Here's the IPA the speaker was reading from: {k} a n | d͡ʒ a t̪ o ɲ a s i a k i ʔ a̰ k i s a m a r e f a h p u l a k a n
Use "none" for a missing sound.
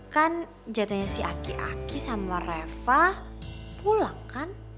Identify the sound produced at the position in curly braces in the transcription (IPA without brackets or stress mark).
k